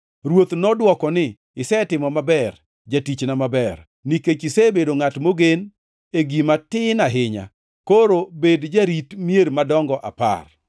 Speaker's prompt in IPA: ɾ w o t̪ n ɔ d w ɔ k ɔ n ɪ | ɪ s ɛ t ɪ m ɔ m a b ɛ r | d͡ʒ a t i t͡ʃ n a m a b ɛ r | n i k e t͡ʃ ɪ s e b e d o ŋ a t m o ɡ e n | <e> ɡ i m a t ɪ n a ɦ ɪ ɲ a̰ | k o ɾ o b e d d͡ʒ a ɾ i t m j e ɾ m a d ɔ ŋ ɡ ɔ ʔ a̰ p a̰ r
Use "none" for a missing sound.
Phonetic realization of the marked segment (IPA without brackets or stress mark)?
e